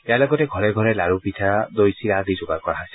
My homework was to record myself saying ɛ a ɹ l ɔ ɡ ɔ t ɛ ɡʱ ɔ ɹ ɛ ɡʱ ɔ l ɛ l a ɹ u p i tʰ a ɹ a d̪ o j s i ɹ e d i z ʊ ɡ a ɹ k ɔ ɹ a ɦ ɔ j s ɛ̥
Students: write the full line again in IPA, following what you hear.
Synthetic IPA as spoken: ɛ a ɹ l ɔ ɡ ɔ t ɛ ɡʱ ɔ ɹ ɛ ɡʱ ɔ ɹ ɛ l a ɹ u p i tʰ a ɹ a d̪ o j s i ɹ a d i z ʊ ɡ a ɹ k ɔ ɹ a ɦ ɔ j s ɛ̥